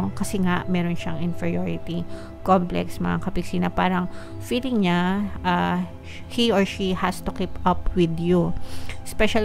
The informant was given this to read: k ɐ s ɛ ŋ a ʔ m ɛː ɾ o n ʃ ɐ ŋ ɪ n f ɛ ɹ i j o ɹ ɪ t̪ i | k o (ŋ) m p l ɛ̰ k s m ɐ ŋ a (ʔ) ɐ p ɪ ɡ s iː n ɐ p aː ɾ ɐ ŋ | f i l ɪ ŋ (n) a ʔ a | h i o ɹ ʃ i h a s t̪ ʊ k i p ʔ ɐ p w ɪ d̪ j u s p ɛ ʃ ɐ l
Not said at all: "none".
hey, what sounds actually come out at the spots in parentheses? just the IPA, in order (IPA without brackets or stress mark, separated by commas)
none, k, ɲ